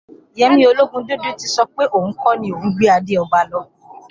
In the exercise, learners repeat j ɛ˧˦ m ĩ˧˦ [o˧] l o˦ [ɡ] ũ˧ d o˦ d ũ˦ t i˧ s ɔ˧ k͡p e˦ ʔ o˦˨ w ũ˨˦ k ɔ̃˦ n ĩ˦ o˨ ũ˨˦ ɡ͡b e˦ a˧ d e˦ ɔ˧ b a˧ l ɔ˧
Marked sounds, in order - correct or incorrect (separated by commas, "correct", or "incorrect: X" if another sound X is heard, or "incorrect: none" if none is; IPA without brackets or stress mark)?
correct, correct